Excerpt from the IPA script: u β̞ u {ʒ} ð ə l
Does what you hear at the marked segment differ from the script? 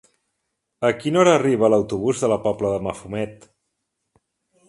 yes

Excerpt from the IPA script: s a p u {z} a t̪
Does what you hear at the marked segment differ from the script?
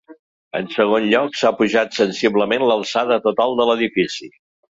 yes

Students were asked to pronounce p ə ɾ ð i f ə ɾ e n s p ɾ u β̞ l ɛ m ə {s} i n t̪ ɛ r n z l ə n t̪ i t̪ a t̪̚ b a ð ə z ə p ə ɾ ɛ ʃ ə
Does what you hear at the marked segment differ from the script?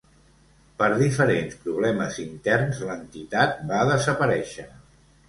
yes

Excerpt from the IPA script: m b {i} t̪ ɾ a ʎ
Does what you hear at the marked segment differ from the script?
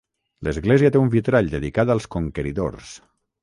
no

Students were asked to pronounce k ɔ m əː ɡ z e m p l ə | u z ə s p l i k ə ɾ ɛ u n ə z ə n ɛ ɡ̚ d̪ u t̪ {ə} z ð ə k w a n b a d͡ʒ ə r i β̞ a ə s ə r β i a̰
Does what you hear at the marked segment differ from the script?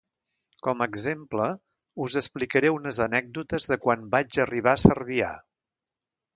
no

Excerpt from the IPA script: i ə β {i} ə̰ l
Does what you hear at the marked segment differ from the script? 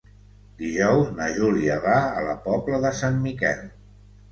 yes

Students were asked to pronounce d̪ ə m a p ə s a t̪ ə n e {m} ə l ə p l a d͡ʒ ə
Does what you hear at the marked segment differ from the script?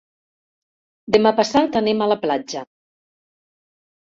no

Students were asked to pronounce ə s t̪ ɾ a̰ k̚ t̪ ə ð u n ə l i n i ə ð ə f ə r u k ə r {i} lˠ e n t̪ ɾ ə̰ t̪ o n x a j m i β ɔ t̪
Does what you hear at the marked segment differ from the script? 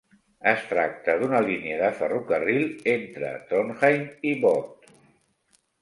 no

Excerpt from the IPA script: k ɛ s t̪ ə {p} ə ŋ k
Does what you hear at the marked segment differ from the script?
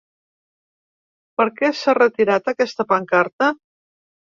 no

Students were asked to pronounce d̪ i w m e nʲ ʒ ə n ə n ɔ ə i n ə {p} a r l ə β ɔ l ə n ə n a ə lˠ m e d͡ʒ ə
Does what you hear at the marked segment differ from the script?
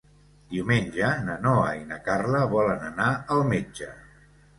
yes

